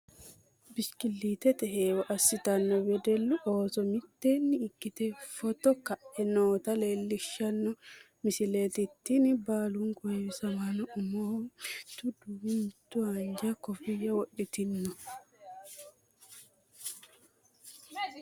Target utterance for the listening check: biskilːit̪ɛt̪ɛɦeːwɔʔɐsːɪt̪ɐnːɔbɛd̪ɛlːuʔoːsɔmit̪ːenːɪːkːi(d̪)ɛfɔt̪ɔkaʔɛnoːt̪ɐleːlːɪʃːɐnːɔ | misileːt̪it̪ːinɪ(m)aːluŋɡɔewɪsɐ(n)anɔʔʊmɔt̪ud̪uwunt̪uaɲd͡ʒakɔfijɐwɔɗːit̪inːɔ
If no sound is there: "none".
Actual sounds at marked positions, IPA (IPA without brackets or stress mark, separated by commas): t̪, b, m